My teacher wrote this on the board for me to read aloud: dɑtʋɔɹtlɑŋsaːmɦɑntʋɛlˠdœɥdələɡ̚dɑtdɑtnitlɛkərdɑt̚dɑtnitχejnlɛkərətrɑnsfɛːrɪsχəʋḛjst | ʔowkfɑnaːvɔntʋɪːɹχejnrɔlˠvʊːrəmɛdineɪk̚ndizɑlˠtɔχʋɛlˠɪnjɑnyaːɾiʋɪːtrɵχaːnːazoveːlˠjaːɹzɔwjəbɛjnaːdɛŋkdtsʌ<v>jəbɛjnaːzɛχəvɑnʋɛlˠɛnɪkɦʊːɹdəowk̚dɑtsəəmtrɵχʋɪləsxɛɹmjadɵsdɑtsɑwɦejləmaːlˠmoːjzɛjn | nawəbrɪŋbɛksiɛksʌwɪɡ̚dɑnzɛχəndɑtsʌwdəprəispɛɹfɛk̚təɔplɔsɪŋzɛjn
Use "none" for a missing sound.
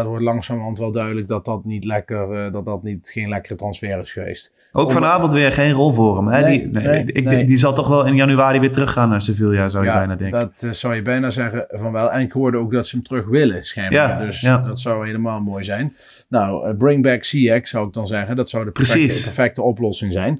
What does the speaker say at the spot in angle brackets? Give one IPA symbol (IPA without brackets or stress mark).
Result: w